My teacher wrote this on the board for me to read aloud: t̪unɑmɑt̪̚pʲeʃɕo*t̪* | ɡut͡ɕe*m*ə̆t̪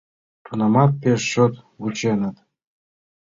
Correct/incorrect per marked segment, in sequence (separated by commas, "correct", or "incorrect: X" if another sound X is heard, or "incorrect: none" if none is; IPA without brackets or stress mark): correct, incorrect: n